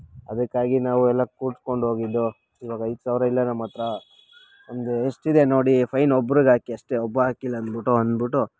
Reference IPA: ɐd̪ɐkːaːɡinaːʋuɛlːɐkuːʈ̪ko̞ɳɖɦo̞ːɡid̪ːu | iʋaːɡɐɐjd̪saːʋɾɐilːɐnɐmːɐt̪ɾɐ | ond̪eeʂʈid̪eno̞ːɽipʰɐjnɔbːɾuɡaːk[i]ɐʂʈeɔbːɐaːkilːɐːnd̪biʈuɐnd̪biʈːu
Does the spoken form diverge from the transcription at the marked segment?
no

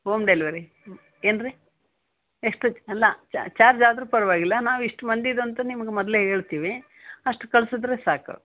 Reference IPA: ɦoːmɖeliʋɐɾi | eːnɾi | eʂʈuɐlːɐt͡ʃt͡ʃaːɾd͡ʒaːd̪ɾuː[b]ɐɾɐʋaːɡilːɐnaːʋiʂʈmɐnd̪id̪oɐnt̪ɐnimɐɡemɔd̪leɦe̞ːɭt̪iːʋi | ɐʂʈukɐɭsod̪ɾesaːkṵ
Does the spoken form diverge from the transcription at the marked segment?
yes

